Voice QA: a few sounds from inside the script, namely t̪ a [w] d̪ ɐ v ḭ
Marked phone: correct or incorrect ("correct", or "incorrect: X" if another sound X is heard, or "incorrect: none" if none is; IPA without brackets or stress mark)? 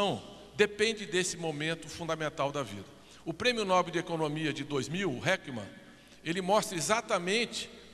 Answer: correct